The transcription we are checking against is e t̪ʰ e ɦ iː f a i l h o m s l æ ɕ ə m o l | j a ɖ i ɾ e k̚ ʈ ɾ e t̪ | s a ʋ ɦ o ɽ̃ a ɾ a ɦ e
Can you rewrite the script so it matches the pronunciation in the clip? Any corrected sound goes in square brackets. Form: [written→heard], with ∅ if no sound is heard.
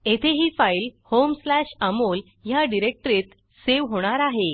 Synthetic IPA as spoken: e t̪ʰ e ɦ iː f a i l h o m s l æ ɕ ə m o l | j a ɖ i ɾ e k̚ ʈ ɾ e t̪ | s [a→e] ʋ ɦ o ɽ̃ a ɾ a ɦ e